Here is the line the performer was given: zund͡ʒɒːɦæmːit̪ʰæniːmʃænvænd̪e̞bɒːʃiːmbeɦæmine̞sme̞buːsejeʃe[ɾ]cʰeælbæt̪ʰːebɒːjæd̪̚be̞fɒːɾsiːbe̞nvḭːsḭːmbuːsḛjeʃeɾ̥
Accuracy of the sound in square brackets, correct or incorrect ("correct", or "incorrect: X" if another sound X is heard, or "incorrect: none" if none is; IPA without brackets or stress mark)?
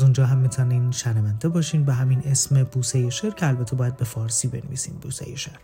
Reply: correct